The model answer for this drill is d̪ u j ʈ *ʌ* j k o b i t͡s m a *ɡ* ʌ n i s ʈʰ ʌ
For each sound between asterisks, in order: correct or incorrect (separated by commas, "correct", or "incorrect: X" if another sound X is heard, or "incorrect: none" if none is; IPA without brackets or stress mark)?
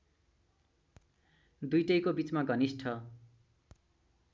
correct, correct